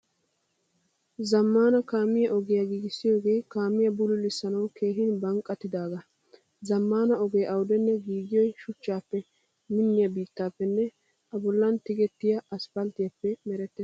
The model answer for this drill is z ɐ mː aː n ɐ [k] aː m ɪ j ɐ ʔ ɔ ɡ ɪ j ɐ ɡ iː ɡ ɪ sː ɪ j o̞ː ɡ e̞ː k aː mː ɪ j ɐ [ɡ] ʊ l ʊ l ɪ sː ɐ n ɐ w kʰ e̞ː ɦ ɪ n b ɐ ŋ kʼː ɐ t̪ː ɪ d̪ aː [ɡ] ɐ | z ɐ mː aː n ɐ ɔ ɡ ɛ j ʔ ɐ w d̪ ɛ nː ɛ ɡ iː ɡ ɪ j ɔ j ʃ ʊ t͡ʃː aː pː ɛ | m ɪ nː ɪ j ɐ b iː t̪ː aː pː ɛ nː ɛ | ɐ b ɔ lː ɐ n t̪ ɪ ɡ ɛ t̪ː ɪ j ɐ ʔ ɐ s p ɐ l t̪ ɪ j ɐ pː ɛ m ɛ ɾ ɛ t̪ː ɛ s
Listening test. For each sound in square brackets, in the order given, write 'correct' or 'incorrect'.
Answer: correct, incorrect: b, correct

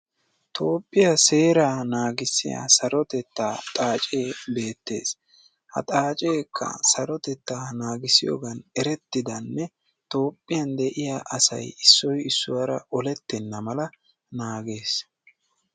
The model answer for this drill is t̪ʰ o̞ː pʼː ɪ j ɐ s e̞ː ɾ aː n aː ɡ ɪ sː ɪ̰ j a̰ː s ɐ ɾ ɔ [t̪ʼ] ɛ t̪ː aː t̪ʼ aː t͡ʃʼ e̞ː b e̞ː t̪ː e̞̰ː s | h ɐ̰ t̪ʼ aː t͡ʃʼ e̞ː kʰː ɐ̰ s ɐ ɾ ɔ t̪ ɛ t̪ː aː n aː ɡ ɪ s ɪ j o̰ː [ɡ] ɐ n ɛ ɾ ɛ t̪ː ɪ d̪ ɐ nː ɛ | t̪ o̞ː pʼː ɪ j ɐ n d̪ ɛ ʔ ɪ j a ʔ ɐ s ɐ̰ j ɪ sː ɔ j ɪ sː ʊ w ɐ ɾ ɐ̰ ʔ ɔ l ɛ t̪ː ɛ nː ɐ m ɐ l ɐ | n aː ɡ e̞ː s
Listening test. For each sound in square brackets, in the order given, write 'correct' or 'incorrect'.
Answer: incorrect: t̪, correct

